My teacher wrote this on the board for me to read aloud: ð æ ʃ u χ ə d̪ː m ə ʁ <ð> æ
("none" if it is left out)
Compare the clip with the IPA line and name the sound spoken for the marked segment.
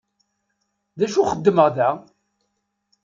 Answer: ð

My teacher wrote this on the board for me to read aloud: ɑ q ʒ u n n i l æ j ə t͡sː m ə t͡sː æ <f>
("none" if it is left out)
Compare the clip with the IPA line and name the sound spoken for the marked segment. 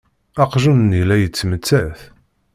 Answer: θ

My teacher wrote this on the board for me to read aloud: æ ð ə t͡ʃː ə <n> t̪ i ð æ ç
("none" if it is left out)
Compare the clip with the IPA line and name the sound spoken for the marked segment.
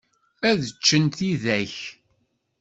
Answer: n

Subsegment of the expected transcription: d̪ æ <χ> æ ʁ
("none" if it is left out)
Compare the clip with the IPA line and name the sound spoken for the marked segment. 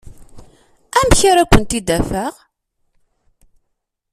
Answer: f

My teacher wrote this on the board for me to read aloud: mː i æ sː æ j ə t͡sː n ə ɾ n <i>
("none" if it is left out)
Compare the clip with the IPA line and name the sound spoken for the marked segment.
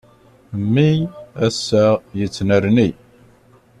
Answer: i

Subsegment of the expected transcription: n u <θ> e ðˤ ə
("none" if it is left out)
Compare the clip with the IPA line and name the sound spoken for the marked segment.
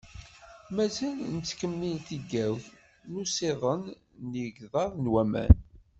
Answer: s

